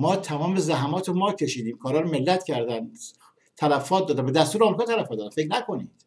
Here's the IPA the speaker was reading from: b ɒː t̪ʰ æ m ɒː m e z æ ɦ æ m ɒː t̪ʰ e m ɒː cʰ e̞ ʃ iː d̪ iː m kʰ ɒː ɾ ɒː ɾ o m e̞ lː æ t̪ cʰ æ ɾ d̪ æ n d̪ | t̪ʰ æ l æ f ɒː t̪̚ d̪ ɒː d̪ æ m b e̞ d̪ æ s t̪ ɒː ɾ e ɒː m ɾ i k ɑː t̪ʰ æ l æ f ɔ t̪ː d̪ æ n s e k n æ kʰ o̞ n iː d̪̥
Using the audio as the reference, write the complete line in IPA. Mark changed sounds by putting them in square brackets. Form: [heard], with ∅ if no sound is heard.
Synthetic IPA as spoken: [m] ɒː t̪ʰ æ m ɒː m e z æ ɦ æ m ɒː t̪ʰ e m ɒː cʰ e̞ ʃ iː d̪ iː m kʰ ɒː ɾ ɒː ɾ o m e̞ lː æ t̪ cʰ æ ɾ d̪ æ n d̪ | t̪ʰ æ l æ f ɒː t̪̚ d̪ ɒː d̪ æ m b e̞ d̪ æ s t̪ [uː] ɾ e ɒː m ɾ i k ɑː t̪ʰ æ l æ f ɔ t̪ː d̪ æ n [f] e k n æ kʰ o̞ n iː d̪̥